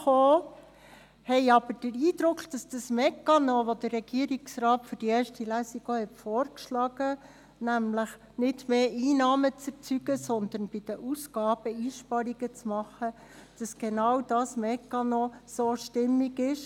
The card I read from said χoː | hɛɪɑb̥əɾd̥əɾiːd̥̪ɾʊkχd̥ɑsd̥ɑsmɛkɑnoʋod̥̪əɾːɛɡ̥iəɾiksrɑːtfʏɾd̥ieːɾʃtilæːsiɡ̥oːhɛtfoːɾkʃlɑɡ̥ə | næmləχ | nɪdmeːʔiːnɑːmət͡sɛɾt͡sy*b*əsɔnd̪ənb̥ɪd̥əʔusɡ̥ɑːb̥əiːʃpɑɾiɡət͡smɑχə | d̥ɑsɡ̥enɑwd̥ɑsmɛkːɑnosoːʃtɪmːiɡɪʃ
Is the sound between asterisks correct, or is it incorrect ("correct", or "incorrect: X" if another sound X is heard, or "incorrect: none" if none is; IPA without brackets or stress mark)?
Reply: incorrect: ɡ